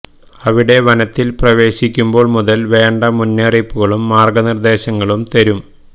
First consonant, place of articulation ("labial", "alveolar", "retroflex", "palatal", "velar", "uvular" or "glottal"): labial